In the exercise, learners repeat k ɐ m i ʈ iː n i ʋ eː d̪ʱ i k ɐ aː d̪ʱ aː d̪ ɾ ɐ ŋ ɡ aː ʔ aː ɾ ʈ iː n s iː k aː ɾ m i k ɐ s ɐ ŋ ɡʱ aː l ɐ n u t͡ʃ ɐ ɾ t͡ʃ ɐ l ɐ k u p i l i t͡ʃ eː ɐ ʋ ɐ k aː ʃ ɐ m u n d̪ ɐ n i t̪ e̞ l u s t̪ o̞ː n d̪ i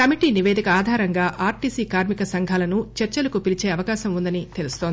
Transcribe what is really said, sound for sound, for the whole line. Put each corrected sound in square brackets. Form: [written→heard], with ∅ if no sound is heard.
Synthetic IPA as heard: k ɐ m i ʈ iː n i ʋ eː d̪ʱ i k ɐ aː d̪ʱ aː [d̪→∅] ɾ ɐ ŋ ɡ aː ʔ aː ɾ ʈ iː [n→∅] s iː k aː ɾ m i k ɐ s ɐ ŋ ɡʱ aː l ɐ n u t͡ʃ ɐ ɾ t͡ʃ ɐ l ɐ k u p i l i t͡ʃ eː ɐ ʋ ɐ k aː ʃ ɐ m u n d̪ ɐ n i t̪ e̞ l u s t̪ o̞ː n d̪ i

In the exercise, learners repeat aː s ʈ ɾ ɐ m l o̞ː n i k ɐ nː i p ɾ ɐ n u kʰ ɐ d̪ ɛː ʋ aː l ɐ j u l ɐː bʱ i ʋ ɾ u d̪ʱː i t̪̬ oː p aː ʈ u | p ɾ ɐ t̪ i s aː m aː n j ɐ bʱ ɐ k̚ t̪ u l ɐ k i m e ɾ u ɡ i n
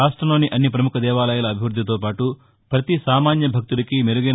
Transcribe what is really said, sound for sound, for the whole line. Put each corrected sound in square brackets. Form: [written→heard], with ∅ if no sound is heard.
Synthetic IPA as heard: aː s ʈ ɾ ɐ m l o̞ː n i [k→ʔ] ɐ nː i p ɾ ɐ [n→m] u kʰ ɐ d̪ ɛː ʋ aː l ɐ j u l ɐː bʱ i ʋ ɾ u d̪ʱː i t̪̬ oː p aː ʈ u | p ɾ ɐ t̪ i s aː m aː n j ɐ bʱ ɐ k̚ t̪ u l ɐ k i m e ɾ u ɡ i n

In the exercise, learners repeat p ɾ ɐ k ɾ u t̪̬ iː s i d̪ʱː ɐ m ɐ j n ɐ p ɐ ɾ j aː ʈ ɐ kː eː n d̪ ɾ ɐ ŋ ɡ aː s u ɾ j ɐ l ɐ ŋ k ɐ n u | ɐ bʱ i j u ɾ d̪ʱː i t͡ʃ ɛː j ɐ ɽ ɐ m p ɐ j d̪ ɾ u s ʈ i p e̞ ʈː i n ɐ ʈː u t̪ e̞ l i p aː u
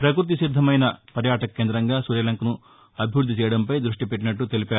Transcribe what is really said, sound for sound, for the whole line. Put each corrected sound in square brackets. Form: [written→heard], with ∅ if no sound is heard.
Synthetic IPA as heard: p ɾ ɐ k ɾ u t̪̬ [iː→i] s i d̪ʱː ɐ m ɐ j n ɐ p ɐ ɾ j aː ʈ ɐ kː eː n d̪ ɾ ɐ ŋ ɡ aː s u ɾ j ɐ l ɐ ŋ k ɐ n u | ɐ bʱ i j u ɾ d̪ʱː i t͡ʃ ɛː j ɐ ɽ ɐ m p ɐ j d̪ ɾ u [s→ʂ] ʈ i p e̞ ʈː i n ɐ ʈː u t̪ e̞ l i p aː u

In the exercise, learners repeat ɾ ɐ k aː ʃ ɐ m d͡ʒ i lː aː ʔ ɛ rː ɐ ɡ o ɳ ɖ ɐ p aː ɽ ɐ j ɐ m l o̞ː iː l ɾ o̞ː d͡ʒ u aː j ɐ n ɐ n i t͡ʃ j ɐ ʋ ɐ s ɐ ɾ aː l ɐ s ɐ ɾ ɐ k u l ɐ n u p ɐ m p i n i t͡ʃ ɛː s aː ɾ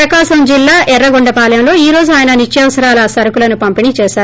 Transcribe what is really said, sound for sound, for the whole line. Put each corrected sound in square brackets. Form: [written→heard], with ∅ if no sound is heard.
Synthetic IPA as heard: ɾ ɐ k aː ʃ ɐ m d͡ʒ i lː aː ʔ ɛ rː ɐ ɡ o ɳ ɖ ɐ p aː [ɽ→l] ɐ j ɐ m l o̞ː iː [l→∅] ɾ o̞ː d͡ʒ u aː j ɐ n ɐ n i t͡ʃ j ɐ ʋ ɐ s ɐ ɾ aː l ɐ s ɐ ɾ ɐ k u l ɐ n u p ɐ m p i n i t͡ʃ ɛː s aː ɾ

